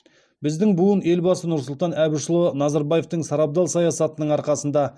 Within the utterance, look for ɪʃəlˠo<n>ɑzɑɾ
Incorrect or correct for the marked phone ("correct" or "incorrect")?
correct